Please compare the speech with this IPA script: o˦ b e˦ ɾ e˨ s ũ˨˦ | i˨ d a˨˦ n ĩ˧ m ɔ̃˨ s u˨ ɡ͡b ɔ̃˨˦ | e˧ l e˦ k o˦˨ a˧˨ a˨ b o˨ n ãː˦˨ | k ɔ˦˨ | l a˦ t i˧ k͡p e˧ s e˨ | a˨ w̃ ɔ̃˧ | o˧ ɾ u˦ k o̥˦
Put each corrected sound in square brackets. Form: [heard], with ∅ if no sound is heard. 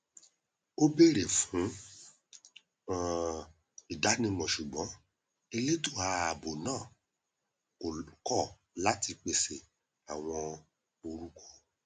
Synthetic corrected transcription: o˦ b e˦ ɾ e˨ [f] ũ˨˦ | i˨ d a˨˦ n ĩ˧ m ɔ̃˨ [ʃ] u˨ ɡ͡b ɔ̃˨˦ | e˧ l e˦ [t] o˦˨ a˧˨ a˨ b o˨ n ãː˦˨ | k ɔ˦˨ | l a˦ t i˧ k͡p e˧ s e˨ | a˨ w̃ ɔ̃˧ | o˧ ɾ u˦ k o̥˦